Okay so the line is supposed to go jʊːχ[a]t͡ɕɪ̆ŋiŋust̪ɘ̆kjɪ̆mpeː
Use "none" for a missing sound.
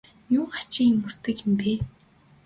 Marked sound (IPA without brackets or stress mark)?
a